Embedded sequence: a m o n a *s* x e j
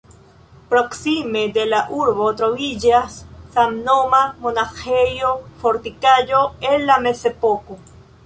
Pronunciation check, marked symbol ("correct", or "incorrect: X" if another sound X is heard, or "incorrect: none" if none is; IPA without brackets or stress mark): incorrect: none